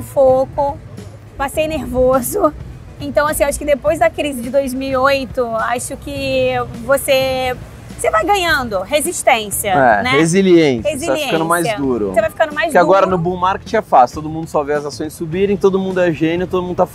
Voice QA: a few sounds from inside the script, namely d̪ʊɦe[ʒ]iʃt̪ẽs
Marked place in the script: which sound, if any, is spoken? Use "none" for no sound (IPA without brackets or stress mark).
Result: z